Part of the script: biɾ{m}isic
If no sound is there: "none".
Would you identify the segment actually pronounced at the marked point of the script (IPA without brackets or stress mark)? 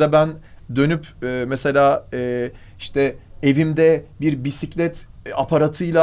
b